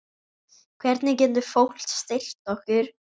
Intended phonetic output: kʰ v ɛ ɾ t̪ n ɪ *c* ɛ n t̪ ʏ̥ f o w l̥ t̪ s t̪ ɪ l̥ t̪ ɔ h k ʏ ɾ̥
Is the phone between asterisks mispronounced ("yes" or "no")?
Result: no